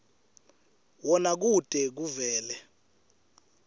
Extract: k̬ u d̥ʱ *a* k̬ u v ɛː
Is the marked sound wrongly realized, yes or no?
yes